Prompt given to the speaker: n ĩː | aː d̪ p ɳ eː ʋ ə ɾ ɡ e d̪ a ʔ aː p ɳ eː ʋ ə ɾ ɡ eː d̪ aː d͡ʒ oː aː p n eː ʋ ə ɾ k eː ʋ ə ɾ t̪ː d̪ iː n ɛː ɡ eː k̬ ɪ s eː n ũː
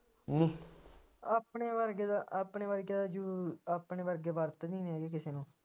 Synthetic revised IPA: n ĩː | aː p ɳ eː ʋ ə ɾ ɡ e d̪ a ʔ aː p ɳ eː ʋ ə ɾ ɡ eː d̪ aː d͡ʒ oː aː p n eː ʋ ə ɾ ɡ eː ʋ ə ɾ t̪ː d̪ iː n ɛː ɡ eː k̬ ɪ s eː n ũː